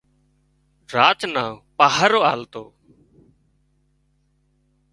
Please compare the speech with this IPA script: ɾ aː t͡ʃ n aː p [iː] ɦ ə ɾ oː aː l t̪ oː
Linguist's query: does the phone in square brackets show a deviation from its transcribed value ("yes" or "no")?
yes